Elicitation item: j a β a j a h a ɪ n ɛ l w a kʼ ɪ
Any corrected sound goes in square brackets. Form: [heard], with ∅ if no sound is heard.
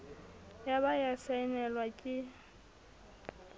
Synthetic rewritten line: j a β a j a [s] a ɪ n ɛ l w a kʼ ɪ